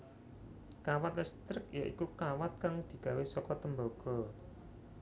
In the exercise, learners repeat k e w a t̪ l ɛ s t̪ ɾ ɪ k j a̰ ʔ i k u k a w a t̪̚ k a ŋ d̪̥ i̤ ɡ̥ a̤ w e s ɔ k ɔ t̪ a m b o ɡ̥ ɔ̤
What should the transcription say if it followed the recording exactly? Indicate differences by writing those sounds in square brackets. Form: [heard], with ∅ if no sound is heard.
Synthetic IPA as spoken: k [a] w a t̪ l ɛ s t̪ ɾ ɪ k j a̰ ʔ i k u k a w a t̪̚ k a ŋ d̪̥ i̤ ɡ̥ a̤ w e s ɔ k ɔ t̪ [ə] m b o ɡ̥ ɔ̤